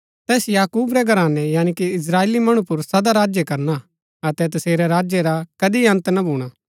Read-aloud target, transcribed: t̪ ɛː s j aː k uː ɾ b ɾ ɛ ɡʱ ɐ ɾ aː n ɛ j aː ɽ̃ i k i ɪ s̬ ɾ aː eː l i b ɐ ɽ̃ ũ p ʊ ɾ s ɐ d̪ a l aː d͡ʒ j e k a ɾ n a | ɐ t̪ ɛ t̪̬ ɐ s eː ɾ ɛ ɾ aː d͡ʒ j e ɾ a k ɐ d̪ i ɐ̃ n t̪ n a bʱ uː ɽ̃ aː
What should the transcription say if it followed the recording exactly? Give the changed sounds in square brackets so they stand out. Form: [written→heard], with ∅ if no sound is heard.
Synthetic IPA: t̪ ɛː s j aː k uː [ɾ→∅] b ɾ ɛ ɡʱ ɐ ɾ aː n ɛ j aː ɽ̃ i k i ɪ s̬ ɾ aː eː l i [b→m] ɐ ɽ̃ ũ p ʊ ɾ s ɐ d̪ a [l→ɾ] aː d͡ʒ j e k [a→ɐ] ɾ n a | ɐ t̪ ɛ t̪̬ ɐ s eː ɾ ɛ ɾ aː d͡ʒ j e ɾ a k ɐ d̪ i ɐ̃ n t̪ n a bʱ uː ɽ̃ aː